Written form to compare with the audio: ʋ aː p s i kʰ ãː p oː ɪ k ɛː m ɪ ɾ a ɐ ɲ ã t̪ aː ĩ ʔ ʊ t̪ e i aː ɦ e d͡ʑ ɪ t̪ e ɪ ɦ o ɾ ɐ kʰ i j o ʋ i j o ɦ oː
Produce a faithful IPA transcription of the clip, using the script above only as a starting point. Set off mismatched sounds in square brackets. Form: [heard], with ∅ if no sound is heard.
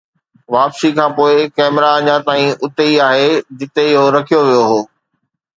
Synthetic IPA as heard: ʋ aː p s i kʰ ãː p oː ɪ k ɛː m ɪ ɾ a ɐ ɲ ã t̪ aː ĩ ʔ ʊ t̪ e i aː ɦ e d͡ʑ ɪ t̪ e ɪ ɦ o ɾ ɐ kʰ i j o ʋ i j o ɦ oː